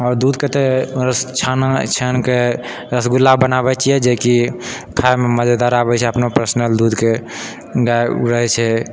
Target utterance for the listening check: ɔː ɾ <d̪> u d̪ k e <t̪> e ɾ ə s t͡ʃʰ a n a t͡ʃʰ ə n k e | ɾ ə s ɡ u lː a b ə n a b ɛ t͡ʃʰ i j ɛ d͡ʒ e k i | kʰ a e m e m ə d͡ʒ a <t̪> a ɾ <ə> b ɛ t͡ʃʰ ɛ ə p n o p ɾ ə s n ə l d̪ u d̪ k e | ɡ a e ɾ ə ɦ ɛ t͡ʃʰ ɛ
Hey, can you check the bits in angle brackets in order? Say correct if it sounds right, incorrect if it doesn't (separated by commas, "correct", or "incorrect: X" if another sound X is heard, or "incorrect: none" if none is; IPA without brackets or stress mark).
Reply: correct, correct, incorrect: d̪, incorrect: a